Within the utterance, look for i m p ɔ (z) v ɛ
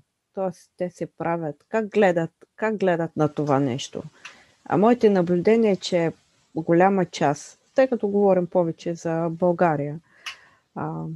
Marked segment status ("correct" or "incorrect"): incorrect